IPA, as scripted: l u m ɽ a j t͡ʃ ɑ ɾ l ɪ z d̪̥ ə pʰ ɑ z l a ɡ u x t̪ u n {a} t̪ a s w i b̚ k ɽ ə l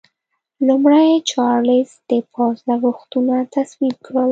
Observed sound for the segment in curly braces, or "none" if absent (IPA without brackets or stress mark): a